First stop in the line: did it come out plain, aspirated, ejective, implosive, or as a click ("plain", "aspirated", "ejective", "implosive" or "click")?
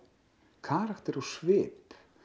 aspirated